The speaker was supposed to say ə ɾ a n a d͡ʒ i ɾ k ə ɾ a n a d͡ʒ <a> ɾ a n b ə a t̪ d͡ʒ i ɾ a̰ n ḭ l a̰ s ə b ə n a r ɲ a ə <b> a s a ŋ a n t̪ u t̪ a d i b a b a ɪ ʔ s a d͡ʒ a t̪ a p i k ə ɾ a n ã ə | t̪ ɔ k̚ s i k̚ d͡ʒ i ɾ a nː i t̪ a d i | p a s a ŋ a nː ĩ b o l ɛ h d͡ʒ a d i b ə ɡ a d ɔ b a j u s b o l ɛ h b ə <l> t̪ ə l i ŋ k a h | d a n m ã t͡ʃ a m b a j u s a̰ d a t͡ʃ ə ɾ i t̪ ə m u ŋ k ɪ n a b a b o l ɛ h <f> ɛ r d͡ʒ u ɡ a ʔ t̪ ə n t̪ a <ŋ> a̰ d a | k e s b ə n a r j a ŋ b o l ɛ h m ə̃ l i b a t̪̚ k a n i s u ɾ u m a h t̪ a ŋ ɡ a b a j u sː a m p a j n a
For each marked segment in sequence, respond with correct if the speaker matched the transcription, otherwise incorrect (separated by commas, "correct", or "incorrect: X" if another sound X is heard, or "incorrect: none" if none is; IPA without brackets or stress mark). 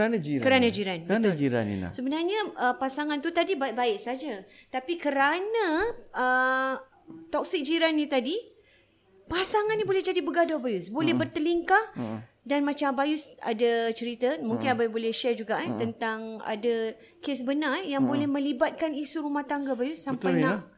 incorrect: i, incorrect: p, incorrect: r, incorrect: ʃ, correct